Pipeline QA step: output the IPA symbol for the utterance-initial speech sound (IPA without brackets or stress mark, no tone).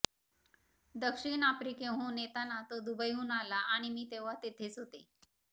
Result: d̪